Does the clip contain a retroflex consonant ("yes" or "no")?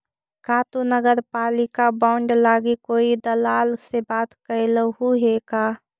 yes